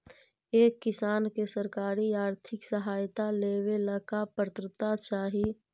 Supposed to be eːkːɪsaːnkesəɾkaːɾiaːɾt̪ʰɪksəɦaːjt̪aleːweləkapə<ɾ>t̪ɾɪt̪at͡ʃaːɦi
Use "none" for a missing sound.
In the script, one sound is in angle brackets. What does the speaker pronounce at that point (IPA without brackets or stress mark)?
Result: ɾ